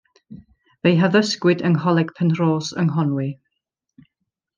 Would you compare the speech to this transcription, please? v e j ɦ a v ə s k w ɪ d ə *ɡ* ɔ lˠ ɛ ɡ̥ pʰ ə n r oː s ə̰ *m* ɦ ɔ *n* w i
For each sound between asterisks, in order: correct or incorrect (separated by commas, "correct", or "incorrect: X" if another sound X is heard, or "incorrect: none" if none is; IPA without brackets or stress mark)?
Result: incorrect: ŋ, incorrect: ŋ, correct